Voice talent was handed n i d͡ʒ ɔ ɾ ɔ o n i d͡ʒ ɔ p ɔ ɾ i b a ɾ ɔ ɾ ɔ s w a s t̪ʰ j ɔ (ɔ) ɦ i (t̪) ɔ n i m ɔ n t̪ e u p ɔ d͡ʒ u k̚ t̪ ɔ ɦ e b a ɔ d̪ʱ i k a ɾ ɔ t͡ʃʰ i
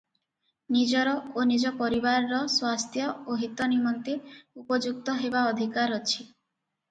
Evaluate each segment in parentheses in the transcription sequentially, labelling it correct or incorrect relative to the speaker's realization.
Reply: incorrect, correct

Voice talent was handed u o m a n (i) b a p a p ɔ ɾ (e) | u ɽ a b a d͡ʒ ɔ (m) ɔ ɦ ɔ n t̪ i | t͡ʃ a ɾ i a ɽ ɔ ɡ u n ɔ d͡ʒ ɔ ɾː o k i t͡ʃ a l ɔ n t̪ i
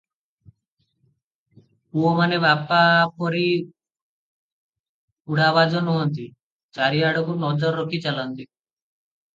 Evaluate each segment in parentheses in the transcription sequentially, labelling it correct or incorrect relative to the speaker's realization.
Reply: incorrect, incorrect, incorrect

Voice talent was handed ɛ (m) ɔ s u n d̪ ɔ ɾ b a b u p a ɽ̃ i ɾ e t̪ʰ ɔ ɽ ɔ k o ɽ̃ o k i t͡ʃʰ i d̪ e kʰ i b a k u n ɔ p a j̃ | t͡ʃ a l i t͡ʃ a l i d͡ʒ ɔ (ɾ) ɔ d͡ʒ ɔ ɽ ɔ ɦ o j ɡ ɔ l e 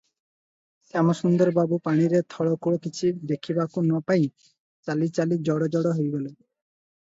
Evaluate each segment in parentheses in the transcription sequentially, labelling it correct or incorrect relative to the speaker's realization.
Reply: correct, incorrect

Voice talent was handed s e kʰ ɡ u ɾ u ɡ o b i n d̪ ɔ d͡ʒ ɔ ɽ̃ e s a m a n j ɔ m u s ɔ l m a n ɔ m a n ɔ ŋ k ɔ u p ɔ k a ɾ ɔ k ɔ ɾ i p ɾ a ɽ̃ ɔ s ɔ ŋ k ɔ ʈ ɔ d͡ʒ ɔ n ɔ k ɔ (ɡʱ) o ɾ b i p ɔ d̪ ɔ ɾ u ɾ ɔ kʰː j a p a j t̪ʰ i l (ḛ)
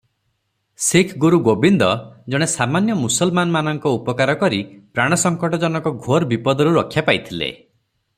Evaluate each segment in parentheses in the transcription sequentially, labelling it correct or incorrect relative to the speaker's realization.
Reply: correct, correct

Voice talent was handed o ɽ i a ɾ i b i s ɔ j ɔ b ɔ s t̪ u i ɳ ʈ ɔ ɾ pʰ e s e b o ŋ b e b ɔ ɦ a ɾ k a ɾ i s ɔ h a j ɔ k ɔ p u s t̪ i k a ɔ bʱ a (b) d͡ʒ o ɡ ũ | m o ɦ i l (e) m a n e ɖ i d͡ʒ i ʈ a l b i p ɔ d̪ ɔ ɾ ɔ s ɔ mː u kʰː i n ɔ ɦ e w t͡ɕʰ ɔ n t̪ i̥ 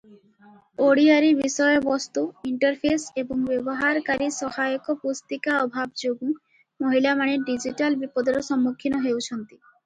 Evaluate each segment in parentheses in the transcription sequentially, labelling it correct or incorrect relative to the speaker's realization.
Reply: correct, incorrect

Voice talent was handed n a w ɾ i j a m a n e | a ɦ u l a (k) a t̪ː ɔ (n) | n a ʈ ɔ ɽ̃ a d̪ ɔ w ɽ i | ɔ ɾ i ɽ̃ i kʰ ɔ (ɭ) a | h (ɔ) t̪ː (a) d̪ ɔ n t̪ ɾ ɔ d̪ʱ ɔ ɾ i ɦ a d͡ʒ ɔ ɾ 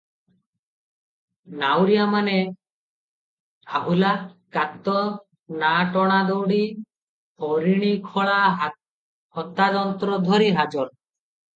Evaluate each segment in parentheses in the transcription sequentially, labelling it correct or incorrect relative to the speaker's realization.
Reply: correct, incorrect, correct, correct, correct

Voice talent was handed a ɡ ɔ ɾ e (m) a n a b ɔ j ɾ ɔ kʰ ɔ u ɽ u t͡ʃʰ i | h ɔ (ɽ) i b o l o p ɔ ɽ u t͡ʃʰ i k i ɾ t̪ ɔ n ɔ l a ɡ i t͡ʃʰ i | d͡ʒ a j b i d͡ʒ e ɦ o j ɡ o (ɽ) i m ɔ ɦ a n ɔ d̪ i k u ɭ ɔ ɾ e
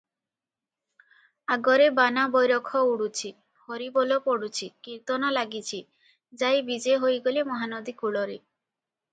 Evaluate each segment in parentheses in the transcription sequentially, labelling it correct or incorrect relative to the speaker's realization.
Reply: incorrect, incorrect, incorrect

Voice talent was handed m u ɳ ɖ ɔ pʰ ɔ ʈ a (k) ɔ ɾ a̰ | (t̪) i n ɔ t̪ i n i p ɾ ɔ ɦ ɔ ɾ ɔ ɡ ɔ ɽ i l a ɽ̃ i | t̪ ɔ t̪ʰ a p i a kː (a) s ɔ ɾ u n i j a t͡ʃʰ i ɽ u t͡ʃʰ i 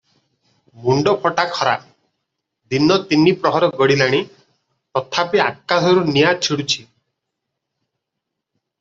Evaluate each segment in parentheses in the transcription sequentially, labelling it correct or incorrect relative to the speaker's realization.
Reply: incorrect, incorrect, correct

